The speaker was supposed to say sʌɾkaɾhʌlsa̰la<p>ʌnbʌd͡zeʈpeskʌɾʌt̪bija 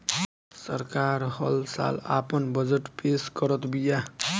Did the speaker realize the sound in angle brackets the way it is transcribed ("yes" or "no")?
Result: yes